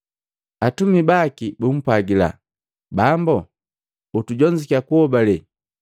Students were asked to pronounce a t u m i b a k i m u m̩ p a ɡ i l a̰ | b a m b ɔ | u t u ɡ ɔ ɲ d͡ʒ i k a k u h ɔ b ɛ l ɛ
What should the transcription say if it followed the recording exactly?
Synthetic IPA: a t u m i b a k i b u m̩ p a ɡ i l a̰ | b a m b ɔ | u t u ɟ ɔ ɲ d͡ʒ i k a k u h ɔ b a l ɛ